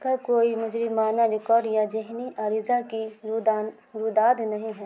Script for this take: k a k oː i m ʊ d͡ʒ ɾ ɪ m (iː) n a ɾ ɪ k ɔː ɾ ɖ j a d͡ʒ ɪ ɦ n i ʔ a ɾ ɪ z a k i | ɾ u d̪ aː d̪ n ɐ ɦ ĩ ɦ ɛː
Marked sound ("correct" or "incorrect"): incorrect